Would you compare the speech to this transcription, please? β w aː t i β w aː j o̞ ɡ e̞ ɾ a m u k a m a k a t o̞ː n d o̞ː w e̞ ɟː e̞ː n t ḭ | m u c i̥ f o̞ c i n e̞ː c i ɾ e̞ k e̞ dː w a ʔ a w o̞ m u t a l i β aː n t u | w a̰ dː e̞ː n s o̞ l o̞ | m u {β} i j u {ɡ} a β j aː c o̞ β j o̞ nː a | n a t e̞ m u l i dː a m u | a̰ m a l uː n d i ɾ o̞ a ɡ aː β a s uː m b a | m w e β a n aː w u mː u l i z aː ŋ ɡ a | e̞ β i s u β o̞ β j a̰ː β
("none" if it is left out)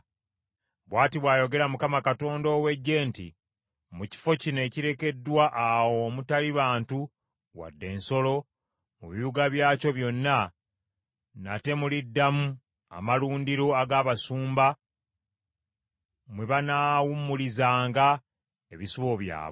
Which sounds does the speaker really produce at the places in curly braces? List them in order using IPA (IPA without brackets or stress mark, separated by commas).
β, ɡ